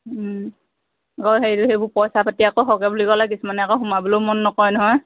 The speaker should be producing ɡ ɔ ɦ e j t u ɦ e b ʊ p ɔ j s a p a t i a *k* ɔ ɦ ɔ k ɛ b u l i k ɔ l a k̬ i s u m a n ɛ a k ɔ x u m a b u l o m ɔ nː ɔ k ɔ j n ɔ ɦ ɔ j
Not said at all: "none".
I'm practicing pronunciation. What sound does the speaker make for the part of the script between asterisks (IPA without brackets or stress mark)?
k